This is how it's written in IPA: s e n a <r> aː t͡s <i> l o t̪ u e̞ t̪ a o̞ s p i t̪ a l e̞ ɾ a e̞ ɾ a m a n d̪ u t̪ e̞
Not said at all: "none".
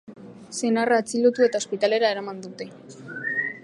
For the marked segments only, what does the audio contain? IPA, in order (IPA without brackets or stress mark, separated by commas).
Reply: r, i